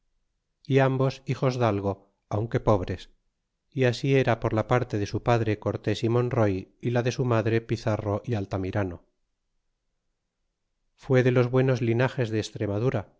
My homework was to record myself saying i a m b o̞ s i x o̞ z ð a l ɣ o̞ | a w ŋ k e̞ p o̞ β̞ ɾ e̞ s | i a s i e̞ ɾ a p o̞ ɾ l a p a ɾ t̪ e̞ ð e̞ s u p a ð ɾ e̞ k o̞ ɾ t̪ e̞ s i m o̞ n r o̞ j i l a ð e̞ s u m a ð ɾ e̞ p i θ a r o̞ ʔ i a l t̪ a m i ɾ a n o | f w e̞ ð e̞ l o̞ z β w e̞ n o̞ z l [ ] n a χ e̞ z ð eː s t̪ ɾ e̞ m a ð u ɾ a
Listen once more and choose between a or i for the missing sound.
i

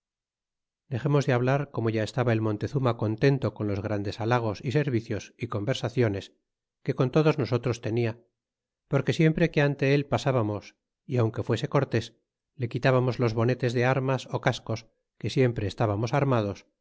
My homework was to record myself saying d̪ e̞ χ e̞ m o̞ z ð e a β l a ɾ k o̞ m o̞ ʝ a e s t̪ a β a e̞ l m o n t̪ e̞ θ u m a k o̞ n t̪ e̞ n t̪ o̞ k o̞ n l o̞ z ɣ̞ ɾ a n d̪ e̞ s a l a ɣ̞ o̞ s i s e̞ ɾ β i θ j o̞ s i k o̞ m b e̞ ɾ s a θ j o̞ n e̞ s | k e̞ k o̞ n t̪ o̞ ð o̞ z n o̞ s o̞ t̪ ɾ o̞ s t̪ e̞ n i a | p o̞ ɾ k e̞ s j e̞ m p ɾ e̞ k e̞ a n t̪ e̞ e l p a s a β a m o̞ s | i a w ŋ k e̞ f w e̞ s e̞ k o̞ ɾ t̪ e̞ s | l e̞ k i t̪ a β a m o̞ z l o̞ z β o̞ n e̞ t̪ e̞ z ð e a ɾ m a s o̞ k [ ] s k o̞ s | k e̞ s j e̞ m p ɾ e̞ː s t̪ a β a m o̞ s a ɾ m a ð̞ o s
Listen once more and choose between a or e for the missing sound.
a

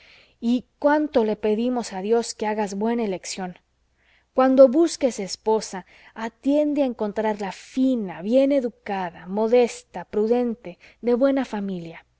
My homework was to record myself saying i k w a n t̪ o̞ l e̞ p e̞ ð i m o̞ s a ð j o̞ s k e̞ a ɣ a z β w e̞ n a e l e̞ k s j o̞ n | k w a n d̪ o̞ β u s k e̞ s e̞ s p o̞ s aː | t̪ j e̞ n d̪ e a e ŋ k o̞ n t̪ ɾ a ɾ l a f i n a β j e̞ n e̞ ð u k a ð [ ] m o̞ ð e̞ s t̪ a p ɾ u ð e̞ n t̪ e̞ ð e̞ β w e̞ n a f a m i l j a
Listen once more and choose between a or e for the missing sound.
a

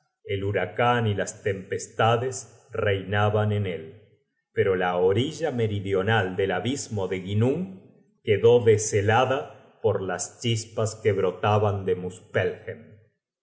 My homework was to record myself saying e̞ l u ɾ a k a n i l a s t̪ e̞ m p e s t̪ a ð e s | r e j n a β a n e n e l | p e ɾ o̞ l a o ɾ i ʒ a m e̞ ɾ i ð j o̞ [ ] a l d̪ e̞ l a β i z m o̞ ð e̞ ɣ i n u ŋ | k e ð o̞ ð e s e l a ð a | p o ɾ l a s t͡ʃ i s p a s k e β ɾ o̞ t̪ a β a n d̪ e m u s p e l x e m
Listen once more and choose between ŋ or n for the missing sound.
n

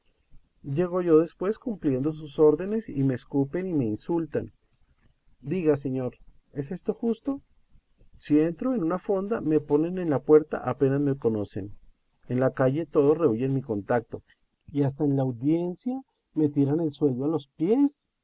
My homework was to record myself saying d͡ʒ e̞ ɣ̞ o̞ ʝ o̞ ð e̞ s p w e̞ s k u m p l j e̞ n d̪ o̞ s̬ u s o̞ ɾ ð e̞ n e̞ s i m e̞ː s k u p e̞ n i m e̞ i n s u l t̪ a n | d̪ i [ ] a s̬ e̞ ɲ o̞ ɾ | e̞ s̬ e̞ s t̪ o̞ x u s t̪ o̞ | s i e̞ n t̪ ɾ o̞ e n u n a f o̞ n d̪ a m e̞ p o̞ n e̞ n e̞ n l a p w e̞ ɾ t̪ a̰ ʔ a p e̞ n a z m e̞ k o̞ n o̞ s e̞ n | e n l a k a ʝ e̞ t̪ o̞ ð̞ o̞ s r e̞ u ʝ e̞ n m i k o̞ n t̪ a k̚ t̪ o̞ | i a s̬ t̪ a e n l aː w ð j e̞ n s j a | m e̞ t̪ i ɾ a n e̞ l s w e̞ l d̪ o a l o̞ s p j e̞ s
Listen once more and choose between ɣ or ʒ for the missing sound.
ɣ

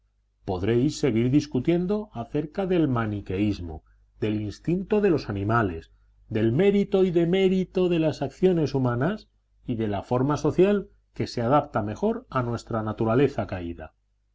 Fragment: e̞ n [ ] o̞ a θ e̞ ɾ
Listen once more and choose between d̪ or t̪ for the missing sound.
d̪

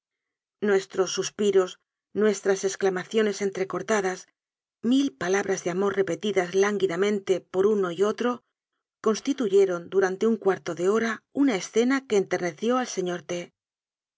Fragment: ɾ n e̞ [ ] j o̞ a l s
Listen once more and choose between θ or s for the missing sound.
θ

